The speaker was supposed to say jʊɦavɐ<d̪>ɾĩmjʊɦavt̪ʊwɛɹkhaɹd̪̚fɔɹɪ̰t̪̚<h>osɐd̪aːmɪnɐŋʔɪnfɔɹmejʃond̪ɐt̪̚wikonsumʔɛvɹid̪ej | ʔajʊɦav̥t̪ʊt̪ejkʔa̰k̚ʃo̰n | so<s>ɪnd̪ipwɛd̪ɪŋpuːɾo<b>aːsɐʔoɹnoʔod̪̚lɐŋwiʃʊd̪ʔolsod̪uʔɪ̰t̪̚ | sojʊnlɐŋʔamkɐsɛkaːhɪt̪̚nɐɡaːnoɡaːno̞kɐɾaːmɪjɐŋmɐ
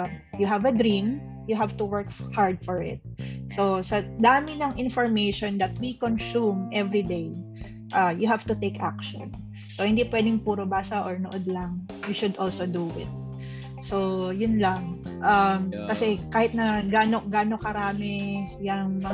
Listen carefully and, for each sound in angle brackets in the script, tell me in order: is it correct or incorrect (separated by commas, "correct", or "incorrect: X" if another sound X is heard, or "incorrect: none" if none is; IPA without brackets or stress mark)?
correct, incorrect: s, incorrect: h, correct